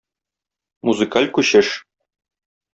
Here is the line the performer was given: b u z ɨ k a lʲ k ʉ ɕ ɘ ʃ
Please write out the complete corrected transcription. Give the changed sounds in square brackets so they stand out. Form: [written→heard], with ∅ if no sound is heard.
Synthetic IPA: [b→m] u z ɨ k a lʲ k ʉ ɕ ɘ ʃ